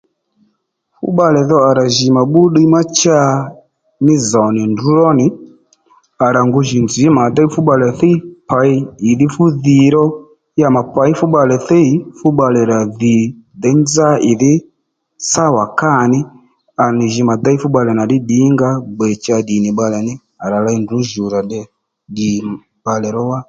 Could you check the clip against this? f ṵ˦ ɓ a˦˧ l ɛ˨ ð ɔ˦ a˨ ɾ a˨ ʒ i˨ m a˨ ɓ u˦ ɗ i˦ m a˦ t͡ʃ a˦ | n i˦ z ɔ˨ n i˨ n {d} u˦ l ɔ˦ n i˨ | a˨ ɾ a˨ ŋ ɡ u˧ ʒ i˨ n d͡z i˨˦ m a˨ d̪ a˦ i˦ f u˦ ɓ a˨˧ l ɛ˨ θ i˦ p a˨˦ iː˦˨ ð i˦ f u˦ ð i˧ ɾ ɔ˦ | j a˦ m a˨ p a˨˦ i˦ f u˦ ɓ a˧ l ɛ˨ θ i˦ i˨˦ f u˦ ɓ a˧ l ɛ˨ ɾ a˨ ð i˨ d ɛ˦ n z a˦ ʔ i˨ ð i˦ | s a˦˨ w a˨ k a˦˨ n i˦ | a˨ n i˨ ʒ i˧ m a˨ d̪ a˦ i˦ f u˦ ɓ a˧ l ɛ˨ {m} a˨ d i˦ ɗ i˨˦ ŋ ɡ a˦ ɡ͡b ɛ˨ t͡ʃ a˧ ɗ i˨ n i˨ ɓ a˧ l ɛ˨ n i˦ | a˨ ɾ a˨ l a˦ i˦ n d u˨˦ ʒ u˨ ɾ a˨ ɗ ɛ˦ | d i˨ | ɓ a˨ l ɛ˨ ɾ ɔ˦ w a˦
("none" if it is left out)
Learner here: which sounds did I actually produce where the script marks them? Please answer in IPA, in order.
d, n

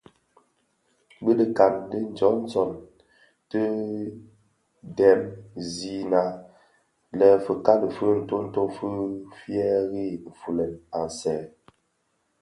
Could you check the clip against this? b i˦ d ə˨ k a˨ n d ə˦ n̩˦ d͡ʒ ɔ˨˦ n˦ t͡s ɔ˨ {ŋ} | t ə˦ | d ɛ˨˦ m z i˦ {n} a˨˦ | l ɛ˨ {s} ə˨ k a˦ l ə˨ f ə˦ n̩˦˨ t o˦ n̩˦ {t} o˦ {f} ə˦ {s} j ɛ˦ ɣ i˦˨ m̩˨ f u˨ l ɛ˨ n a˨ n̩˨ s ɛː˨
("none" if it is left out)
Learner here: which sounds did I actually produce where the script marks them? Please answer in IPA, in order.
n, n, f, t, f, f

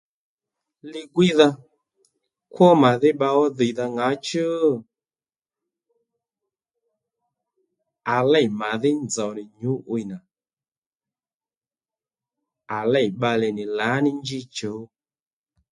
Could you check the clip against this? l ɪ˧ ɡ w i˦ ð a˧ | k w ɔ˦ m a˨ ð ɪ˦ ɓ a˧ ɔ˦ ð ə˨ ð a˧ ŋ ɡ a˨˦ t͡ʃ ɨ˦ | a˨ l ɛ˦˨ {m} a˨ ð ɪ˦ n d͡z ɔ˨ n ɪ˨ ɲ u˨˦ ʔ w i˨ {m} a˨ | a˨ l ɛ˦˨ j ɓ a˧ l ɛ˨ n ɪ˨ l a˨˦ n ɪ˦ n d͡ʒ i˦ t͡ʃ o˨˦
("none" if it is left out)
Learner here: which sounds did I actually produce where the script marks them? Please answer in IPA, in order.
m, n

